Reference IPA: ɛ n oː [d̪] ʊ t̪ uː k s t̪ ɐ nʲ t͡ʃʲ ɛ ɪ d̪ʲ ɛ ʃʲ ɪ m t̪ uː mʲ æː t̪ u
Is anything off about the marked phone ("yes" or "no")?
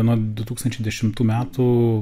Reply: no